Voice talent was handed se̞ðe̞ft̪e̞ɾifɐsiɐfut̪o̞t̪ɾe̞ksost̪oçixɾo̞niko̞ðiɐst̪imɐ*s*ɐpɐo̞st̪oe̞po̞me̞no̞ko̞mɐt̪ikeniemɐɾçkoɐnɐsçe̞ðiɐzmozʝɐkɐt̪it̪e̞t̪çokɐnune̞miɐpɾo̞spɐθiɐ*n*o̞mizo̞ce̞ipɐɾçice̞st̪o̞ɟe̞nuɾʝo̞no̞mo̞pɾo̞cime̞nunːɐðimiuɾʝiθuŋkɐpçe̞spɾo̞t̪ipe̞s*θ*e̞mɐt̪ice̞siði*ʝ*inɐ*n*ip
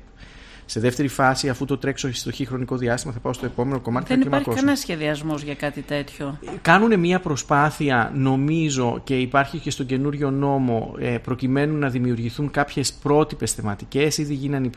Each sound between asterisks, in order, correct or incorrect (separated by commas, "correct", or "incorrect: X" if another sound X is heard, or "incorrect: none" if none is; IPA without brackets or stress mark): incorrect: θ, correct, correct, correct, correct